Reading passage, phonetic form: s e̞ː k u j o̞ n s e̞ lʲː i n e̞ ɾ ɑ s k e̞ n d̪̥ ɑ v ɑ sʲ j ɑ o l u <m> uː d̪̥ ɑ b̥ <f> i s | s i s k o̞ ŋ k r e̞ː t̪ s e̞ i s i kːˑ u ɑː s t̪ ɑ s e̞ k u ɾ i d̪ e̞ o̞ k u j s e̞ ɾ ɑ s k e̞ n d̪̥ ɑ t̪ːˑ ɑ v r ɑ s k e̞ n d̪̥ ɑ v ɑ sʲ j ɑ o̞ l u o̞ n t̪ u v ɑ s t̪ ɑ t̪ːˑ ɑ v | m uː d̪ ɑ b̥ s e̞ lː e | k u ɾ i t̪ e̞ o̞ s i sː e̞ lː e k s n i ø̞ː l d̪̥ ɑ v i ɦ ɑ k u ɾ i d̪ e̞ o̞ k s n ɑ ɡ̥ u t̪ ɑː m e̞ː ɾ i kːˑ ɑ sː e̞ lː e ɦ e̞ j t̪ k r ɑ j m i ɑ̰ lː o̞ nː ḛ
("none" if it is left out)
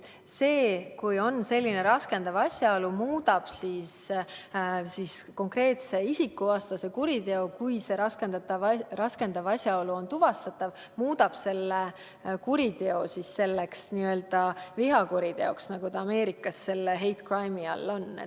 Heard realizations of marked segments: m, s

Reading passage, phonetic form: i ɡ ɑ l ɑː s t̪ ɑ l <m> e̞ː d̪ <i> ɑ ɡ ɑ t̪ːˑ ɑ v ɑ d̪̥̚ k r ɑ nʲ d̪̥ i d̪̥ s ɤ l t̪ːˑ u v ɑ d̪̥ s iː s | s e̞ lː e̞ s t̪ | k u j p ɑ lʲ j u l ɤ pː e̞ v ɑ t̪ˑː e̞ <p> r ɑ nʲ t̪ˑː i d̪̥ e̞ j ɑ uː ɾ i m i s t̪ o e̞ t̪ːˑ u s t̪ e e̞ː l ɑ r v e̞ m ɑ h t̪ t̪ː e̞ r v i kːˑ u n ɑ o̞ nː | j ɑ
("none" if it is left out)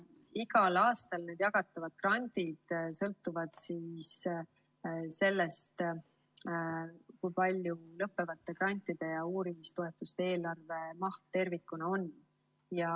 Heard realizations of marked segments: n, j, k

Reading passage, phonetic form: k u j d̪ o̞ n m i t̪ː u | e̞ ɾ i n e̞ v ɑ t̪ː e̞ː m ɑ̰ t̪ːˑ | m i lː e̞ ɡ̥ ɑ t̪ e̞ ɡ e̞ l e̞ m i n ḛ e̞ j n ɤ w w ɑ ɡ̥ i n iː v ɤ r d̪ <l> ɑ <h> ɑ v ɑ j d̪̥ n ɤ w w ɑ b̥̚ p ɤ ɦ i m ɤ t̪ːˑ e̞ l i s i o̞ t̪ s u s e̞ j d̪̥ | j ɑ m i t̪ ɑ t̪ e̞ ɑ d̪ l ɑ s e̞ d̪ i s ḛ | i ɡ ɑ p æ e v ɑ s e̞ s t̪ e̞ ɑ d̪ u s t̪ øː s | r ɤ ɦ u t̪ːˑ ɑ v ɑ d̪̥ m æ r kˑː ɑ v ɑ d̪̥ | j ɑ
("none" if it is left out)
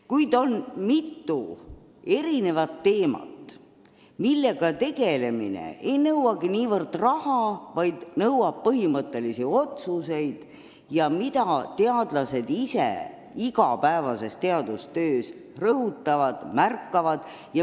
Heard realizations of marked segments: r, h

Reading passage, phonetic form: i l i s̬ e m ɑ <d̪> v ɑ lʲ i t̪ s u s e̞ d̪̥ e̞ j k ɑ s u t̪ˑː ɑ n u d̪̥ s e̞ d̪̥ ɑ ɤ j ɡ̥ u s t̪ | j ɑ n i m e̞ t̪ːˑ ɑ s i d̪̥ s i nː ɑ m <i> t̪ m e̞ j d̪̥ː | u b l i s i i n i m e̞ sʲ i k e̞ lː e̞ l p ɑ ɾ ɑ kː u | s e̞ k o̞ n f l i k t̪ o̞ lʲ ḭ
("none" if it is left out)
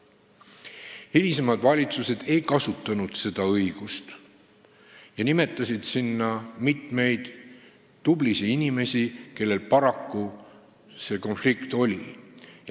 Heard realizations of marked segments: d̪, i

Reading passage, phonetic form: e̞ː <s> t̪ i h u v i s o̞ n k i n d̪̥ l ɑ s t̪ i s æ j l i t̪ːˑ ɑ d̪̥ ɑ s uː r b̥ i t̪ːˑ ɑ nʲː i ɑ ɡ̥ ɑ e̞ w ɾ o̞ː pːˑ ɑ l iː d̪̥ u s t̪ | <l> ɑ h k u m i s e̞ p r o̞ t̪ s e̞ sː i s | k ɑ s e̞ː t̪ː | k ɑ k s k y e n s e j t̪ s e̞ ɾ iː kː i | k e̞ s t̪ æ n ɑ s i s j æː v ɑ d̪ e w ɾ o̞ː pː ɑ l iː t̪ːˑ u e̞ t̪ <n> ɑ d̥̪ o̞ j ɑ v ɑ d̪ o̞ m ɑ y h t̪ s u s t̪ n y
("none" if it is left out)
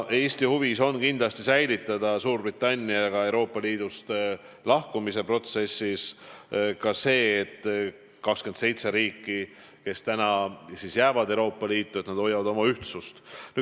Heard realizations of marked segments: s, l, n

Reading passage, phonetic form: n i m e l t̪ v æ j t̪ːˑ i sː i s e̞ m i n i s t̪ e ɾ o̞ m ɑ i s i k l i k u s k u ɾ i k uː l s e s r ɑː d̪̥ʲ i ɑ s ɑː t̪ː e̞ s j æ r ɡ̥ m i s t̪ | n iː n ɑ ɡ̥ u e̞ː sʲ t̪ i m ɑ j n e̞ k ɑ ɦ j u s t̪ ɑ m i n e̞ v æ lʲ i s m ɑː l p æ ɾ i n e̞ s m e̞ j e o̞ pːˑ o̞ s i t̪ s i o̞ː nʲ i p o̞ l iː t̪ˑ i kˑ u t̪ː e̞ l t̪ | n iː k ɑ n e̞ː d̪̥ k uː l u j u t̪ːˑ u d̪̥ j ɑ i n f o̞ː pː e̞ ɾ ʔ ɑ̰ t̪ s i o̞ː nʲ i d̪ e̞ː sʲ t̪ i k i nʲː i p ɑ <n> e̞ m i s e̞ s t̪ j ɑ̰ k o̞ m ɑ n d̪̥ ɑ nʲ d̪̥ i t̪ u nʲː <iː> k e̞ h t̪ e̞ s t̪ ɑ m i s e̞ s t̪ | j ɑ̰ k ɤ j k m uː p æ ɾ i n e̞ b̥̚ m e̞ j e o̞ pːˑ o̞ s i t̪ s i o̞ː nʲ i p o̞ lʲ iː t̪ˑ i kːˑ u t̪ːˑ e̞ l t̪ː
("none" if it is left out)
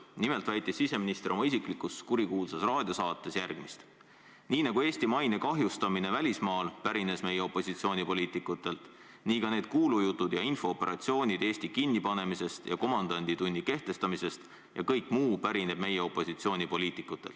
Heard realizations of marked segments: n, i

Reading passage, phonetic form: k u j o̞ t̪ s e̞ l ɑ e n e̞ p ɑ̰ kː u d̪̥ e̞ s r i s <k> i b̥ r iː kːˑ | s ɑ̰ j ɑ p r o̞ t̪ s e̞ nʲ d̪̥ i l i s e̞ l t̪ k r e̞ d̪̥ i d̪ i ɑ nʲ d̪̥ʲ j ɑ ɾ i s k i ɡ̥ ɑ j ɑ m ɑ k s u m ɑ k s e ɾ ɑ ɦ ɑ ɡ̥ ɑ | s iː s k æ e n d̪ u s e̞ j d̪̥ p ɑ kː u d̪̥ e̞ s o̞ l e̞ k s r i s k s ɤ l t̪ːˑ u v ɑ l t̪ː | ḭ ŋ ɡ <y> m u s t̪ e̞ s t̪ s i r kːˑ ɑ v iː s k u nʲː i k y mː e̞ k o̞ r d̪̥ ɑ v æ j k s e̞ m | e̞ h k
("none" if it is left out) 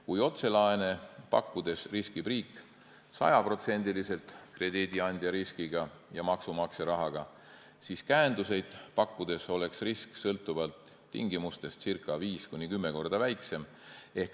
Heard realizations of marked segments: k, i

